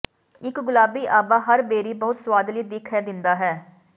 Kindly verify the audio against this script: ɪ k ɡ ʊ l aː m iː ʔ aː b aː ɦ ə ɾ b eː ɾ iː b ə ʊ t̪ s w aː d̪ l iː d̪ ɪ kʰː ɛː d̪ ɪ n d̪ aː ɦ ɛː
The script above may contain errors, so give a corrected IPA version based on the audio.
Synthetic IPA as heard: ɪ k ɡ ʊ l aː b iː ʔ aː b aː ɦ ə ɾ b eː ɾ iː b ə ʊ t̪ s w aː d̪ l iː d̪ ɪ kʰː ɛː d̪ ɪ n d̪ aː ɦ ɛː